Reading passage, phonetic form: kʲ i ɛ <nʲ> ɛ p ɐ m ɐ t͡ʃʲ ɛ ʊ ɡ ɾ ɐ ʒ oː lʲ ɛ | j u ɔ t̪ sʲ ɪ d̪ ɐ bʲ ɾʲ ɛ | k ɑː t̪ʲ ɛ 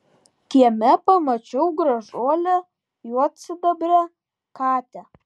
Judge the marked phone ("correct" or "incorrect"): incorrect